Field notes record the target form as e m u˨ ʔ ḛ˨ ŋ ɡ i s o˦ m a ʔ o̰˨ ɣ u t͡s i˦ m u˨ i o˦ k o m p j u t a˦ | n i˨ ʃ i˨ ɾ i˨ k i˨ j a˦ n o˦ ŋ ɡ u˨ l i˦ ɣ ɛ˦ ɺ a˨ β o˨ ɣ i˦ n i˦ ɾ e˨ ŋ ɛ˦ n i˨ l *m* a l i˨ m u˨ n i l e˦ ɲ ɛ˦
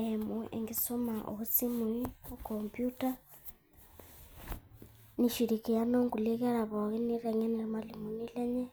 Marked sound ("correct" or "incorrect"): correct